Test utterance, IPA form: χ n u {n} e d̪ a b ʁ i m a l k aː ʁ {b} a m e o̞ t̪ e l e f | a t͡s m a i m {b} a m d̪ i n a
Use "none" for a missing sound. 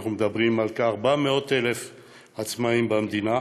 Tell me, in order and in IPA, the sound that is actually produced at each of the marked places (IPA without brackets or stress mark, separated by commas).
m, b, b